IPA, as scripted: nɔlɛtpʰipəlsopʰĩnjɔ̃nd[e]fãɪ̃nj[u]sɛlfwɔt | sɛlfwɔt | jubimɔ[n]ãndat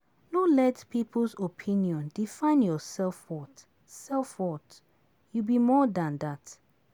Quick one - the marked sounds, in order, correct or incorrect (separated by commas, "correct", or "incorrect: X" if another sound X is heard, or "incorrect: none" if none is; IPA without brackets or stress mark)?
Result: incorrect: i, incorrect: ɔ, incorrect: d